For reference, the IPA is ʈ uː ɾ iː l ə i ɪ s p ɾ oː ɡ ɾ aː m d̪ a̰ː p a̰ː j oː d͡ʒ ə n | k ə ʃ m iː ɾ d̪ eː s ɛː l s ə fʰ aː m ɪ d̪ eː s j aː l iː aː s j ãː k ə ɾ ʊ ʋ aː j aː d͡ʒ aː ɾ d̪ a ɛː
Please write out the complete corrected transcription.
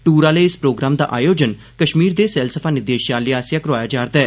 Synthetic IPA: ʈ uː ɾ aː l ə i ɪ s p ɾ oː ɡ ɾ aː m d̪ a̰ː ʔ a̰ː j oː d͡ʒ ə n | k ə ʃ m iː ɾ d̪ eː s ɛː l s ə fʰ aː n ɪ d̪ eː ʃ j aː l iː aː s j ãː k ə ɾ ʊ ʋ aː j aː d͡ʒ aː ɾ d̪ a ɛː